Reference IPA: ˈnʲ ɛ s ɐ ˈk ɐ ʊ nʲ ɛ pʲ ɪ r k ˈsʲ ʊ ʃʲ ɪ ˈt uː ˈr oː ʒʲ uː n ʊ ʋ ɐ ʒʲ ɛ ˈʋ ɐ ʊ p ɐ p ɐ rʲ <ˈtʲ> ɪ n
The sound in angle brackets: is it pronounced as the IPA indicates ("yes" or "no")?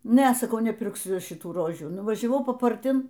yes